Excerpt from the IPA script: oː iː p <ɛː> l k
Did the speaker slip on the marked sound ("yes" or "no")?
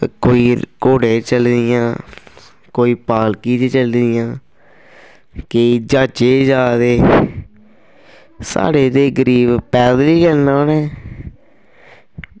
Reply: yes